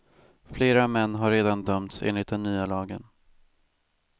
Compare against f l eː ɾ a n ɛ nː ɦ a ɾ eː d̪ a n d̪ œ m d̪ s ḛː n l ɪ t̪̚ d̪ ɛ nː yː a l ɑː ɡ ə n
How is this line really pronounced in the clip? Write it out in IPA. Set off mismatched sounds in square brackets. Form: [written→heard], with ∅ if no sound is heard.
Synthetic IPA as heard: f l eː ɾ a [n→m] ɛ nː ɦ a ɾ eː d̪ a n d̪ œ m [d̪→t̪] s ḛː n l ɪ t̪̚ d̪ ɛ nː yː a l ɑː ɡ ə n